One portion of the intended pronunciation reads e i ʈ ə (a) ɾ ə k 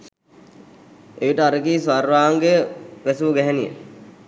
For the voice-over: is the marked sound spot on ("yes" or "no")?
yes